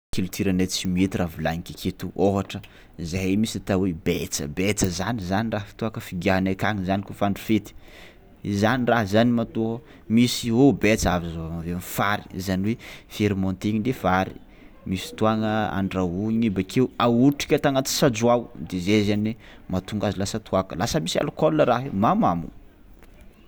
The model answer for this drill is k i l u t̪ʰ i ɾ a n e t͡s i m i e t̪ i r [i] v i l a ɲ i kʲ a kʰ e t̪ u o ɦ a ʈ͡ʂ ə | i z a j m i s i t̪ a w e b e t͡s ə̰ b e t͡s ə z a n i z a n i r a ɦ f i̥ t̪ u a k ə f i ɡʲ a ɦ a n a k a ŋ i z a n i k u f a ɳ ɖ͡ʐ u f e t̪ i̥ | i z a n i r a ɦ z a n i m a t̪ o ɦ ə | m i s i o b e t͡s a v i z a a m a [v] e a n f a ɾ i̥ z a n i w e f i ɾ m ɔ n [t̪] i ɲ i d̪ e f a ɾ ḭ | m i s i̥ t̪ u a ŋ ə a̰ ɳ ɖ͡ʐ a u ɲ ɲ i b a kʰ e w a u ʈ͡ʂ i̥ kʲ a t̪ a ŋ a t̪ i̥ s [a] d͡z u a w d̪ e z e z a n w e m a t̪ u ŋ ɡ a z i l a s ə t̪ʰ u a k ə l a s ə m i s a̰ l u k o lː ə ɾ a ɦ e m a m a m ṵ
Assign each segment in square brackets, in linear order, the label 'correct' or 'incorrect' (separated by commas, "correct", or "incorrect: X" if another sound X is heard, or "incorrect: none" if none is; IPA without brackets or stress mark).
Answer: incorrect: a, correct, correct, correct